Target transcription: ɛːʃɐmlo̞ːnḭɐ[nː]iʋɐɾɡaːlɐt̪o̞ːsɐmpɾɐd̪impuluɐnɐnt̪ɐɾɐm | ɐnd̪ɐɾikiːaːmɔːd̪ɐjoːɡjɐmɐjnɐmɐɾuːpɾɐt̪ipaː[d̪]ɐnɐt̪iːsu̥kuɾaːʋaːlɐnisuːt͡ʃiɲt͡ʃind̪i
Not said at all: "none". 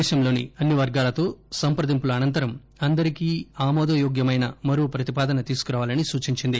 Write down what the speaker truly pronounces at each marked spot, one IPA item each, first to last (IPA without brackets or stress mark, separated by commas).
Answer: nː, d̪